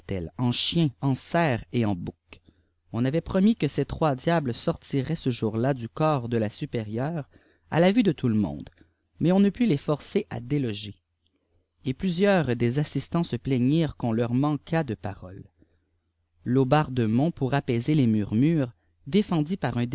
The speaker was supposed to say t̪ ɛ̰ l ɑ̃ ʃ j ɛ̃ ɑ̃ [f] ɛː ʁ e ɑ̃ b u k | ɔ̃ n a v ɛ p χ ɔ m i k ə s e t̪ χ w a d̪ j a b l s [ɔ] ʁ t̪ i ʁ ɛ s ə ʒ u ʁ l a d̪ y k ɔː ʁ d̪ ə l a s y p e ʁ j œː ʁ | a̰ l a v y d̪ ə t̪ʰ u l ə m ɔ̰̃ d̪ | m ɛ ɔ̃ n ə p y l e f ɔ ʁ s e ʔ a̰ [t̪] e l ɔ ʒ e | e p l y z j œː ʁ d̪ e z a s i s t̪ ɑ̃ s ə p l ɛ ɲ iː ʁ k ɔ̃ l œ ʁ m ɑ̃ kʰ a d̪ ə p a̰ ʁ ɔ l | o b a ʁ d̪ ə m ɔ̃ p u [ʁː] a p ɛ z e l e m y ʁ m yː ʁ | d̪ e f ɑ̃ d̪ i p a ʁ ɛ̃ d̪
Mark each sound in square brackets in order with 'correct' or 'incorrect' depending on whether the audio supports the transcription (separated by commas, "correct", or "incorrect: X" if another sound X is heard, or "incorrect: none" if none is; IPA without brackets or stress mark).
incorrect: s, correct, incorrect: d̪, incorrect: ʁ